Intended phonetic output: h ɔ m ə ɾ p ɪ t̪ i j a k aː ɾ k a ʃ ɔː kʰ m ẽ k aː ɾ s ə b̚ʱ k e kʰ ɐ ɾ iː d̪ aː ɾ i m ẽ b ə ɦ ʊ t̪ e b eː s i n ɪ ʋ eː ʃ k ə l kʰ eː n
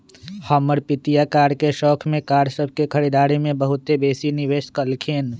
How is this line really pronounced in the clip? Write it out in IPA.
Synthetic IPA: h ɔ m ə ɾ p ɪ t̪ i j a k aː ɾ k e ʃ ɔː kʰ m ẽ k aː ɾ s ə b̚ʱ k e kʰ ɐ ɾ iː d̪ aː ɾ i m ẽ b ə ɦ ʊ t̪ e b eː s i n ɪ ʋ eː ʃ k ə l kʰ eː n